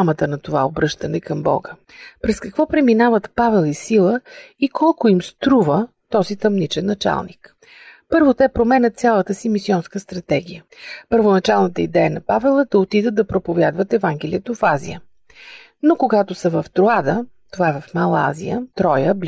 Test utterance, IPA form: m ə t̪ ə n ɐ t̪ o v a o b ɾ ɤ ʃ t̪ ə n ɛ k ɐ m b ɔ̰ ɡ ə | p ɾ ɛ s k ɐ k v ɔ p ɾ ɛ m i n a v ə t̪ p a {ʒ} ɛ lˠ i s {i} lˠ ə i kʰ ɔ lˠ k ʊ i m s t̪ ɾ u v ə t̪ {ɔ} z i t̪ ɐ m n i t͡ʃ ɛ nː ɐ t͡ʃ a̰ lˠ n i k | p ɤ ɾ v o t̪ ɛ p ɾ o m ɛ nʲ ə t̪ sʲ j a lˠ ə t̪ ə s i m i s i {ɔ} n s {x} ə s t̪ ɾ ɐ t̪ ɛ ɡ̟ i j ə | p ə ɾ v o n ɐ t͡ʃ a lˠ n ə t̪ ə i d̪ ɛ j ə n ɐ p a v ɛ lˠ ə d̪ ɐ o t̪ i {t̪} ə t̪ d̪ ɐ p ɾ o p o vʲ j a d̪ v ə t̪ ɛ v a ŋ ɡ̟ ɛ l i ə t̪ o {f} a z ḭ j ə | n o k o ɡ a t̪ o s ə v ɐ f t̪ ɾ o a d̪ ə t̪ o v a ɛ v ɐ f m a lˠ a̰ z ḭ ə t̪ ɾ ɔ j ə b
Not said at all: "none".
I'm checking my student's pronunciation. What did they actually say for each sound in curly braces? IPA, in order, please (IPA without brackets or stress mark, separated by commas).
v, i, ɔ, ɔ, k, d̪, f